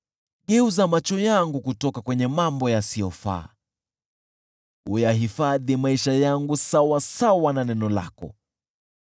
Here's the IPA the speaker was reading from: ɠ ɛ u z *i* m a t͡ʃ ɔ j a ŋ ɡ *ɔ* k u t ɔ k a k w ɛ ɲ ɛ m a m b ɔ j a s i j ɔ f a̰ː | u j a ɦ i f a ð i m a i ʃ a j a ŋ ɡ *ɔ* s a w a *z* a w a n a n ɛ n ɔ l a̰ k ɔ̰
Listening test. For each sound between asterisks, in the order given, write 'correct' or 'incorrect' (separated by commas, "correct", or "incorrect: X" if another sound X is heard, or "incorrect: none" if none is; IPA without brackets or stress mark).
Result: incorrect: a, incorrect: u, incorrect: u, incorrect: s